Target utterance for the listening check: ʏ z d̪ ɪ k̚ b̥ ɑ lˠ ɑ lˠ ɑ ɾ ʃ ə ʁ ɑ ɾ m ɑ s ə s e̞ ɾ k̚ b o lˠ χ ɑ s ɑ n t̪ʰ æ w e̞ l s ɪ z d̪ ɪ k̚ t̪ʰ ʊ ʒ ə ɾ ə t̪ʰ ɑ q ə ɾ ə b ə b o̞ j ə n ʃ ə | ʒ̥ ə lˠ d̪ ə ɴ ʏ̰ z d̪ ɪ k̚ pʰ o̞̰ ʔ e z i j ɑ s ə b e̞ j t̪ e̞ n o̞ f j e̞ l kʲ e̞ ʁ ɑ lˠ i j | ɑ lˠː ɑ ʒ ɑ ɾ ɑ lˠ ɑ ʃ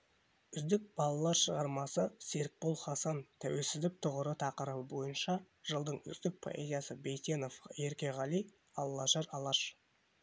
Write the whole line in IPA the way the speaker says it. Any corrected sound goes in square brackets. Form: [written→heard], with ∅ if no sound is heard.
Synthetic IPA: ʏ z d̪ ɪ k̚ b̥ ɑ lˠ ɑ lˠ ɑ ɾ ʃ ə ʁ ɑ ɾ m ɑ s ə s e̞ ɾ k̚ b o lˠ χ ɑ s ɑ n t̪ʰ æ w e̞ l s ɪ z d̪ ɪ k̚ t̪ʰ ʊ [ʒ→ʁ] ə ɾ ə t̪ʰ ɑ q ə ɾ ə b ə b o̞ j ə n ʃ [ə→ɑ] | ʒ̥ ə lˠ d̪ ə ɴ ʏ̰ z d̪ ɪ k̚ pʰ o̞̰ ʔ e z i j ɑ s ə b e̞ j t̪ e̞ n o̞ f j e̞ [l→ɾ] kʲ e̞ ʁ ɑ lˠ i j | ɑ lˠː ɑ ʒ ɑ ɾ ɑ lˠ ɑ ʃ